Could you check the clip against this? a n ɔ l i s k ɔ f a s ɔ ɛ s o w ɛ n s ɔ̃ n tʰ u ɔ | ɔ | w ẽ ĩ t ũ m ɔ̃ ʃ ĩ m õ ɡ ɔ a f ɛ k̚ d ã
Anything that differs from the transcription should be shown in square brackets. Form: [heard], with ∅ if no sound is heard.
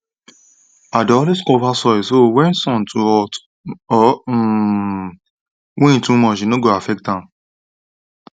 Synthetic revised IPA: a [d] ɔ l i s k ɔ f a s ɔ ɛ s o w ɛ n s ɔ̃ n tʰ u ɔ | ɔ | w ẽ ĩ t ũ m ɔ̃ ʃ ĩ [n] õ ɡ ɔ a f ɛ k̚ [t] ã

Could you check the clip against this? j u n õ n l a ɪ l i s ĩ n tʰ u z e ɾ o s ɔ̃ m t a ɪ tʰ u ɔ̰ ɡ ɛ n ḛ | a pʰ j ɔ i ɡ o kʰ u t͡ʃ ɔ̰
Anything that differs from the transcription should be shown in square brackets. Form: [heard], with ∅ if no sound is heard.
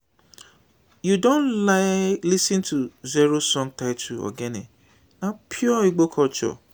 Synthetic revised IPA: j u [d] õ n l a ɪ l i s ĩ n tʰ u z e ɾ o s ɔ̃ [ŋ] t a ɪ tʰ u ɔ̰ ɡ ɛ n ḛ | a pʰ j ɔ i [ɡ͡b] o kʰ [ɔ] t͡ʃ ɔ̰

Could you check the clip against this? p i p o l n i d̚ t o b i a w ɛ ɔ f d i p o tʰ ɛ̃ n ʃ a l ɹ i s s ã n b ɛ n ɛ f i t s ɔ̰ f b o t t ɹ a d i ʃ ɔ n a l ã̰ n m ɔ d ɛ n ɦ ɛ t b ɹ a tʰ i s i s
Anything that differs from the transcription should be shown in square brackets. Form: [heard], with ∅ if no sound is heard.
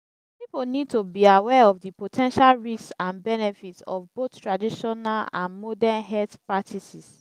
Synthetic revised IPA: p i p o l n i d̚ t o b i a w ɛ ɔ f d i p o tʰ ɛ̃ n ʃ a l ɹ i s s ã n b ɛ n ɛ f i t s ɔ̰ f b o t t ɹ a d i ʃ ɔ n a l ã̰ n m ɔ d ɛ n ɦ ɛ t [p] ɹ a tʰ i s i s

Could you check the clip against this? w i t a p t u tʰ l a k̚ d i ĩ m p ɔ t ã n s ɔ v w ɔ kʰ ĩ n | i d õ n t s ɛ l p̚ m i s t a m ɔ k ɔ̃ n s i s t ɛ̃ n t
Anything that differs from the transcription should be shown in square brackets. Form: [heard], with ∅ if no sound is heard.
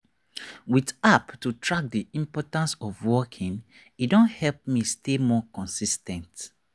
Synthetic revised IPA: w i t a p t u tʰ [ɹ] a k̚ d i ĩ m p ɔ t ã n s ɔ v w ɔ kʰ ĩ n | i d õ n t [h] ɛ l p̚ m i s t [e] m ɔ k ɔ̃ n s i s t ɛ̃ n t

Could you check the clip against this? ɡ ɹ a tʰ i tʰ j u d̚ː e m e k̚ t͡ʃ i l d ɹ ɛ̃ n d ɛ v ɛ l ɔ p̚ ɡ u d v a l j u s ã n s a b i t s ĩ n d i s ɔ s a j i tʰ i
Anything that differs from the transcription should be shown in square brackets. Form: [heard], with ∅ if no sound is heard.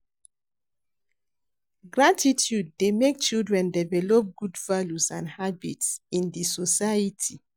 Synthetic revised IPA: ɡ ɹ a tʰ i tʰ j u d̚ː e m e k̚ t͡ʃ i l d ɹ ɛ̃ n d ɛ v ɛ l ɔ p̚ ɡ u d v a l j u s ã n [h] a b i t s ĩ n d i s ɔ s a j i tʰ i

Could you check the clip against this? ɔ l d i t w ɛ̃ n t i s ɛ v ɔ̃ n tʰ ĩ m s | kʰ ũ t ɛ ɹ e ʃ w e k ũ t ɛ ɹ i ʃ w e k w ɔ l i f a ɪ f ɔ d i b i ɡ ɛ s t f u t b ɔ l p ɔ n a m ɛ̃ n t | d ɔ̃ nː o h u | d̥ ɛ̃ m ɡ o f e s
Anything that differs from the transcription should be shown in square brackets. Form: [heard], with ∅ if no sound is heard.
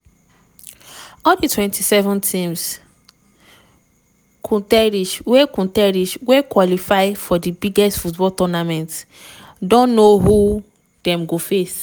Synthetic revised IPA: ɔ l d i t w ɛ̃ n t i s ɛ v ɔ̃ n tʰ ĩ m s | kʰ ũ t ɛ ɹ [i] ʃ w e k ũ t ɛ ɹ i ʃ w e k w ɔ l i f a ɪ f ɔ d i b i ɡ ɛ s t f u t b ɔ l [t] ɔ n a m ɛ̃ n t | d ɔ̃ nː o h u | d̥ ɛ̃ m ɡ o f e s

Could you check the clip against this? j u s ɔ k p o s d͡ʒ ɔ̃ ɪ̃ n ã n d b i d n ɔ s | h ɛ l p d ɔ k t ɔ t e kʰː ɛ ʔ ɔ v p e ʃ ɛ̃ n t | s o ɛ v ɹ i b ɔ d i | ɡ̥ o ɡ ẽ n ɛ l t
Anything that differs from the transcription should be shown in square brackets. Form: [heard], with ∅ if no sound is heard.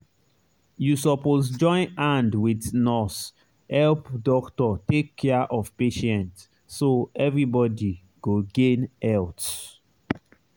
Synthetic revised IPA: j u s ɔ [∅] p o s d͡ʒ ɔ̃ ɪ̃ n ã n d [w] i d n ɔ s | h ɛ l p d ɔ k t ɔ t e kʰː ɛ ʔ ɔ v p e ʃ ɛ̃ n t | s o ɛ v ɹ i b ɔ d i | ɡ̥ o ɡ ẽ n ɛ l t

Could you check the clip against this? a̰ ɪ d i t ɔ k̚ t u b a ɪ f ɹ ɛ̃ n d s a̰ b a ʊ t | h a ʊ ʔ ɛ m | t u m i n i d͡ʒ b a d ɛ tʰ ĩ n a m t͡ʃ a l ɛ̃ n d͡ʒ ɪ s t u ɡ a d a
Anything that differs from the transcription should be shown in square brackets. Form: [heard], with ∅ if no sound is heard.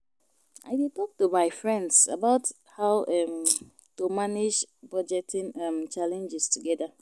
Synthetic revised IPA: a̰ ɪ d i t ɔ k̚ t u [m] a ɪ f ɹ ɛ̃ n d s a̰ b a ʊ t | h a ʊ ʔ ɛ m | t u m [a] n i d͡ʒ b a [d͡ʒ] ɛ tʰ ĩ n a m t͡ʃ a l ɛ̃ n d͡ʒ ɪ s t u ɡ [ɛ] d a

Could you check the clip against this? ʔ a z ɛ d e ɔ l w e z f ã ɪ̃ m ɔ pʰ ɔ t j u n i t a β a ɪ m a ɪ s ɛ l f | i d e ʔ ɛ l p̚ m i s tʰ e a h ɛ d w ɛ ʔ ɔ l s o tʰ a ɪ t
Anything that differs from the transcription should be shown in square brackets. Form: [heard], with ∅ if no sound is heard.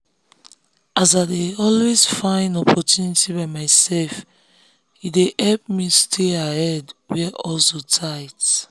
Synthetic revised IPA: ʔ a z [a] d e ɔ l w e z f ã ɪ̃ [n] ɔ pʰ ɔ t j u n i t [i] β a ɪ m a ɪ s ɛ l f | i d e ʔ ɛ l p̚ m i s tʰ e a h ɛ d w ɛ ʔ ɔ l s o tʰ a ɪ t

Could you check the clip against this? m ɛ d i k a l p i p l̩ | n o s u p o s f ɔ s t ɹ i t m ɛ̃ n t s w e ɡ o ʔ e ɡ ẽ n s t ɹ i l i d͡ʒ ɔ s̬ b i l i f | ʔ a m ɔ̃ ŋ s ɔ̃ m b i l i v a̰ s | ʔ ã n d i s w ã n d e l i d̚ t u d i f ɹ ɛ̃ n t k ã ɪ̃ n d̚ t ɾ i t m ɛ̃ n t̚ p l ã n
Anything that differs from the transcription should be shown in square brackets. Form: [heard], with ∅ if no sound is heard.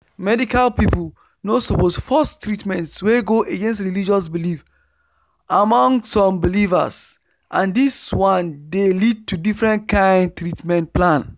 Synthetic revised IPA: m ɛ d i k a l p i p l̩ | n o s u p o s f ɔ s t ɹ i t m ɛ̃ n t s w e ɡ o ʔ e ɡ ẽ n s t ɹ i l i d͡ʒ ɔ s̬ b i l i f | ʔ a m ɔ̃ ŋ s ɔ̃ m b i l i v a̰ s | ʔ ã n d i s w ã n d e l i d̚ t u d i f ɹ ɛ̃ n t k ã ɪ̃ n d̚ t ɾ i t m ɛ̃ n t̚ p l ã n

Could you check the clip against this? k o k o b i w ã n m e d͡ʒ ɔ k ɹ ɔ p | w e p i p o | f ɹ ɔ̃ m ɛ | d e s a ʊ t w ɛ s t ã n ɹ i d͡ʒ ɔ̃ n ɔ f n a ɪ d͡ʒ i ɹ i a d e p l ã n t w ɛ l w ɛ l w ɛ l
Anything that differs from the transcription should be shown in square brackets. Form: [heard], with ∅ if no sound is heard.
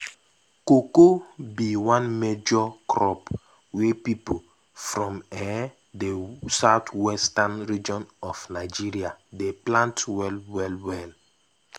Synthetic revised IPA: k o k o b i w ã n m e d͡ʒ ɔ k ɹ ɔ p | w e p i p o | f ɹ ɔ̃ m ɛ | d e s a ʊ t w ɛ s t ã n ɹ i d͡ʒ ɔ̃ n ɔ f n a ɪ d͡ʒ i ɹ i a d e p l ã n t w ɛ l w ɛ l w ɛ l

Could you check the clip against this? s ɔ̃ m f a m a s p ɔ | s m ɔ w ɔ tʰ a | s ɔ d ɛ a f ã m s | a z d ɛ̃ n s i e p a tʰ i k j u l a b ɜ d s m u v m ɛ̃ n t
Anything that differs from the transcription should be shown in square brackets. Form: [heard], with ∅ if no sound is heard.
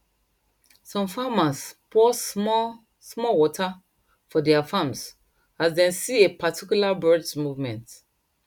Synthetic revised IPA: s ɔ̃ m f a m a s p ɔ | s m ɔ w ɔ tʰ a | [f] ɔ d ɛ a f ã m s | a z d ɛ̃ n s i e p a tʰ i k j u l a b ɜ d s m u v m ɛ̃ n t

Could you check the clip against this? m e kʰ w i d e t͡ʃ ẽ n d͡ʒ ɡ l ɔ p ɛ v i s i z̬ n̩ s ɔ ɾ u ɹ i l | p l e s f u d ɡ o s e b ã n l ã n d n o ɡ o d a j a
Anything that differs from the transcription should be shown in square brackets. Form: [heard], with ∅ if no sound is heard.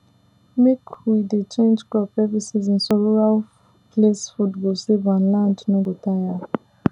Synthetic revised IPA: m e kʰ w i d e t͡ʃ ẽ n d͡ʒ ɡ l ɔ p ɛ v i s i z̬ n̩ s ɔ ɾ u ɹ [a] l | p l e s f u d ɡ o s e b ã n l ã n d n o ɡ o [t] a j a

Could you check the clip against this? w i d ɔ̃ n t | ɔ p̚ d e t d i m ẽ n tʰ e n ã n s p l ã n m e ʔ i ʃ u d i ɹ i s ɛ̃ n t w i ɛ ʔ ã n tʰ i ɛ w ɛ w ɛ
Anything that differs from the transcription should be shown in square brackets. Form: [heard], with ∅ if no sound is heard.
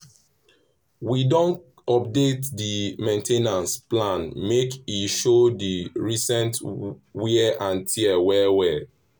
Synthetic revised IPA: w i d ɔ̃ n t | ɔ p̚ d e t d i m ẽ n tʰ e n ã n s p l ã n m e [k] i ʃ [o] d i ɹ i s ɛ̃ n t w i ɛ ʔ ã n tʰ i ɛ w ɛ w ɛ

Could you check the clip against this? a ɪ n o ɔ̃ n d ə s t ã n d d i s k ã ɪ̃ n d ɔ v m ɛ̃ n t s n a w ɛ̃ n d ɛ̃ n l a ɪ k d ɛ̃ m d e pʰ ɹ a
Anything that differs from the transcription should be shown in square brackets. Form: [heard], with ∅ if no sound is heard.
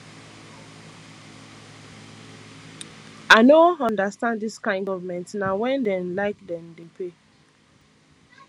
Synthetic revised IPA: a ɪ n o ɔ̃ n d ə s t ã n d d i s k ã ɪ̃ n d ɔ v m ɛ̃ n t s n a w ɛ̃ n d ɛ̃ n l a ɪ k d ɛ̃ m d e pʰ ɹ [e]

